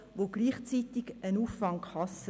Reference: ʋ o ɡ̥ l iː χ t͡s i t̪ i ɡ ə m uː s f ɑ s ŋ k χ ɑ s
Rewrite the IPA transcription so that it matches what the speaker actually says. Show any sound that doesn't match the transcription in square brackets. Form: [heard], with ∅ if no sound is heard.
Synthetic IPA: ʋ o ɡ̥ l iː χ t͡s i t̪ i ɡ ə [n] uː [f] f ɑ [∅] ŋ k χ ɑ s